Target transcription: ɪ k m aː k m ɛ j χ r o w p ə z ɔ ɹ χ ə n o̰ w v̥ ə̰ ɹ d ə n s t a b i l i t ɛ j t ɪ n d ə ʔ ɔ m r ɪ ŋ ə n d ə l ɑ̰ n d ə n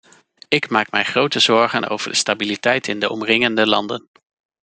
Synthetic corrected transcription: ɪ k m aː k m ɛ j χ r o w t ə z ɔ ɹ χ ə n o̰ w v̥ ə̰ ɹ d ə s t a b i l i t ɛ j t ɪ n d ə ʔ ɔ m r ɪ ŋ ə n d ə l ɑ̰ n d ə n

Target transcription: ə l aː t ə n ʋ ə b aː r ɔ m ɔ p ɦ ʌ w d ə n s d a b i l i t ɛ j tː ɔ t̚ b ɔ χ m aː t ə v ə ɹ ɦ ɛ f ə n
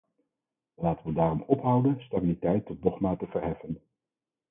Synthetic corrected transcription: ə l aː t ə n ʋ ə d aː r ɔ m ɔ p ɦ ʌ w d ə n s t a b i l i t ɛ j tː ɔ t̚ d ɔ χ m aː t ə v ə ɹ ɦ ɛ f ə n

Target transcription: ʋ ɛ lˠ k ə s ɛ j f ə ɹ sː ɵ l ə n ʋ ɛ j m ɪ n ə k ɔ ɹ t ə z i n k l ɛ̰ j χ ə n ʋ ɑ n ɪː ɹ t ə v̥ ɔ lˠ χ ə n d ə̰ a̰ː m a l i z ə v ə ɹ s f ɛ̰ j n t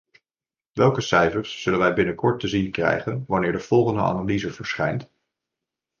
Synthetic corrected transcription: ʋ ɛ lˠ k ə s ɛ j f ə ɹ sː ɵ l ə n ʋ ɛ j b ɪ n ə k ɔ ɹ t ə z i n k r ɛ̰ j χ ə n ʋ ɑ n ɪː ɹ d ə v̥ ɔ lˠ χ ə n d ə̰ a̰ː n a l i z ə v ə ɹ s χ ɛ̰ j n t

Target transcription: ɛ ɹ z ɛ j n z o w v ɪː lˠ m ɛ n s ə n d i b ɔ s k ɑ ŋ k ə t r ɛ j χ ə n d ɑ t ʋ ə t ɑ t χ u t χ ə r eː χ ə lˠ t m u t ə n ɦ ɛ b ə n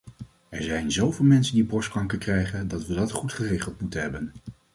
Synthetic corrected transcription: ɛ ɹ z ɛ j n z o w v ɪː lˠ m ɛ n s ə n d i b ɔ s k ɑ ŋ k ə k r ɛ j χ ə n d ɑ t ʋ ə d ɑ t χ u t χ ə r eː χ ə lˠ t m u t ə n ɦ ɛ b ə n

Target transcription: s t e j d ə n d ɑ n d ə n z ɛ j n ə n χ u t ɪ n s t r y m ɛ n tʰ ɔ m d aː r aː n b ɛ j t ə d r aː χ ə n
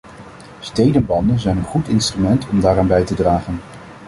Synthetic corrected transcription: s t e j d ə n b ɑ n d ə n z ɛ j n ə n χ u t ɪ n s t r y m ɛ n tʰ ɔ m d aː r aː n b ɛ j t ə d r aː χ ə n

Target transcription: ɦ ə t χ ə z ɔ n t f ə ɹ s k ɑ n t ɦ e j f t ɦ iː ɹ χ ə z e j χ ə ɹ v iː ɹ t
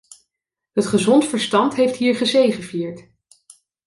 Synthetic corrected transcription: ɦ ə t χ ə z ɔ n t f ə ɹ s t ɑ n t ɦ e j f t ɦ iː ɹ χ ə z e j χ ə v iː ɹ t

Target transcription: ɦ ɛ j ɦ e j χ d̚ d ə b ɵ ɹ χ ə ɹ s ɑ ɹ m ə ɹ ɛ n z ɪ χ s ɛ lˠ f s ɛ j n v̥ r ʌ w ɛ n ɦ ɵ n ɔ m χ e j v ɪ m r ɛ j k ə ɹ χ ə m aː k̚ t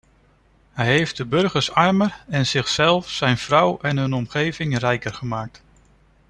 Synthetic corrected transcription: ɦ ɛ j ɦ e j f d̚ d ə b ɵ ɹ χ ə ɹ s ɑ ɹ m ə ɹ ɛ n z ɪ χ s ɛ lˠ f s ɛ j n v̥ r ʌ w ɛ n ɦ ɵ n ɔ m χ e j v ɪ ŋ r ɛ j k ə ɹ χ ə m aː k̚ t

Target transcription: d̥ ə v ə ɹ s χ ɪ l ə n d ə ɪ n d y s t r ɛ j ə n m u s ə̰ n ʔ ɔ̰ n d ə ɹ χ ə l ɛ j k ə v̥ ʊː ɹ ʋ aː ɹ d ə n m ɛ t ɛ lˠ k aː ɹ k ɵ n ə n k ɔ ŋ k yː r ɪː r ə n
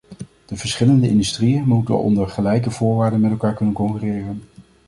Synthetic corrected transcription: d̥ ə v ə ɹ s χ ɪ l ə n d ə ɪ n d y s t r i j ə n m u t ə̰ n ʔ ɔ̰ n d ə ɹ χ ə l ɛ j k ə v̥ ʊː ɹ ʋ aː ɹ d ə n m ɛ t ɛ lˠ k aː ɹ k ɵ n ə n k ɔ ŋ k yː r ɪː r ə n

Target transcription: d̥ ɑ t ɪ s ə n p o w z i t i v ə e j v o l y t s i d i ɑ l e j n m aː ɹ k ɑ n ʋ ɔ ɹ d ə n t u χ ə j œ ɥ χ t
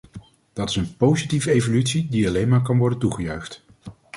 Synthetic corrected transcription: d̥ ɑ t ɪ s ə n p o w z i t i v ə e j v o l y t s i d i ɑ l e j n m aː ɹ k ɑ n ʋ ɔ ɹ d ə n t u χ ə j œ ɥ χ t

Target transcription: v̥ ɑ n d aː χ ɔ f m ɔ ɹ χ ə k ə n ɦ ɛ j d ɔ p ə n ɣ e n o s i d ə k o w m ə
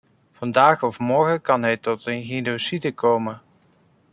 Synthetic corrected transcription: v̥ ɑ n d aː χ ɔ f m ɔ ɹ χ ə k ɑ n ɦ ɛ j t ɔ t ə n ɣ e n o s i d ə k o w m ə

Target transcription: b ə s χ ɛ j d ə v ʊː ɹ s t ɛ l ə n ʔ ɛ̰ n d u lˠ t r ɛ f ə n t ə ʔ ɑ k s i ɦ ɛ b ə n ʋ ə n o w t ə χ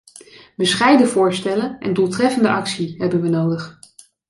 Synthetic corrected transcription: b ə s χ ɛ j d ə v ʊː ɹ s t ɛ l ə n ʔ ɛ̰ n d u lˠ t r ɛ f ə n d ə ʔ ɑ k s i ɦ ɛ b ə n ʋ ə n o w d ə χ

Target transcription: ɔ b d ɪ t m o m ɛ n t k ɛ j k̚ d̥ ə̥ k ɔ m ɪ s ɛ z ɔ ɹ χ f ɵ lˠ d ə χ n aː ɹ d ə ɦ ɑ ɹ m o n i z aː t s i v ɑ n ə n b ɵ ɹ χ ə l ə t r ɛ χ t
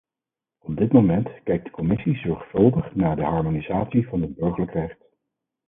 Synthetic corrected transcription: ɔ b d ɪ t m o m ɛ n t k ɛ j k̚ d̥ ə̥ k ɔ m ɪ s i z ɔ ɹ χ f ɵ lˠ d ə χ n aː ɹ d ə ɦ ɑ ɹ m o n i z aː t s i v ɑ n ə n b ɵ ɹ χ ə l ə k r ɛ χ t

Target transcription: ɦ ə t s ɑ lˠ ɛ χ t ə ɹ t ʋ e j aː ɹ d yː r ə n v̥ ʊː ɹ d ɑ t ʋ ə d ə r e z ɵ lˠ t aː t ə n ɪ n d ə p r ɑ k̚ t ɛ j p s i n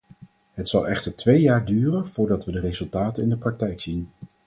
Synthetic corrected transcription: ɦ ə t s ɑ lˠ ɛ χ t ə ɹ t ʋ e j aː ɹ d yː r ə n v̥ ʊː ɹ d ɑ t ʋ ə d ə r e z ɵ lˠ t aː t ə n ɪ n d ə p r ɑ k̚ t ɛ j k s i n

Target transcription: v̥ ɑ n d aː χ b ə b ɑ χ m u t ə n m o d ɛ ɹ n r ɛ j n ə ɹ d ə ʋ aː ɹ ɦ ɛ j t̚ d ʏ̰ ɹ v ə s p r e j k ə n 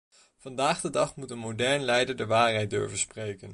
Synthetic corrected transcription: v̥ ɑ n d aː χ d ə d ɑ χ m u t ə n m o d ɛ ɹ n l ɛ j d ə ɹ d ə ʋ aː ɹ ɦ ɛ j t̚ d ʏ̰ ɹ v ə s p r e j k ə n

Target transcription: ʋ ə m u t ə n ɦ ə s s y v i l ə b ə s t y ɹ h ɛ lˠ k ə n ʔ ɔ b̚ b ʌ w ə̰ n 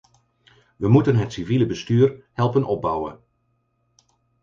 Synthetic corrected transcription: ʋ ə m u t ə n ɦ ə t s i v i l ə b ə s t yː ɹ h ɛ lˠ p ə n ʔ ɔ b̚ b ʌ w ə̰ n

